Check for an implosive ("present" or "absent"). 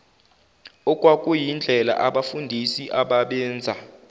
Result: present